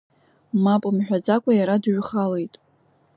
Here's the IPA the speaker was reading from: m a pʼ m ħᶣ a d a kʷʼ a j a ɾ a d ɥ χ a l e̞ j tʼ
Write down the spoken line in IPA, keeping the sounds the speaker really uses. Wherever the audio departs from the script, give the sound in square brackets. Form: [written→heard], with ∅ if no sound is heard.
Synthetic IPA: m a pʼ m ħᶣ a [d→d͡z] a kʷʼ a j a ɾ a d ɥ χ a l e̞ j tʼ